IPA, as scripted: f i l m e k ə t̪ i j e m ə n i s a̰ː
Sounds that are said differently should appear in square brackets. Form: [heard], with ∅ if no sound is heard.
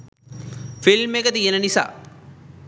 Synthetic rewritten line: f i l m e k ə t̪ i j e [n] ə n i s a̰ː